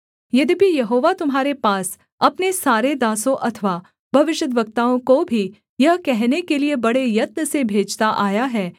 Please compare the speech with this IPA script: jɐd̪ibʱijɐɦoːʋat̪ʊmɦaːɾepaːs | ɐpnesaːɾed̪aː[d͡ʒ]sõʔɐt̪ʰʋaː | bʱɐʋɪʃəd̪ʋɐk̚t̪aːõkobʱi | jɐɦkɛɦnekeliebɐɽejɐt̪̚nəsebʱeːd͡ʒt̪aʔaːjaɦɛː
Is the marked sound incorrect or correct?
incorrect